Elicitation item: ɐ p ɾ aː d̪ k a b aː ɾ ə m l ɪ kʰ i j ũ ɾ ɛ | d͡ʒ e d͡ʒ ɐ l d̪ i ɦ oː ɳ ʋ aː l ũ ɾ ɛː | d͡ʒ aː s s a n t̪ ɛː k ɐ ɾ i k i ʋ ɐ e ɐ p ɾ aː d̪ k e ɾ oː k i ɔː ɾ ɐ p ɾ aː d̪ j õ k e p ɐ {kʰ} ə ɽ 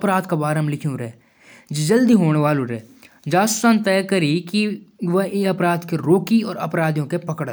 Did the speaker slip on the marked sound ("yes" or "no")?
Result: yes